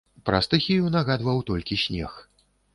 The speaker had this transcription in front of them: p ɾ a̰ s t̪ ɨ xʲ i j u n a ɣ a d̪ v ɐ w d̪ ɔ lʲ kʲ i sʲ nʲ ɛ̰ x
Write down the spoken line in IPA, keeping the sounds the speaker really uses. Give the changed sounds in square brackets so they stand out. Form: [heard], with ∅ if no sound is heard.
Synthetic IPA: p ɾ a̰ s t̪ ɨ xʲ i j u n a ɣ a d̪ v ɐ w [t̪] ɔ lʲ kʲ i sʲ nʲ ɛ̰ x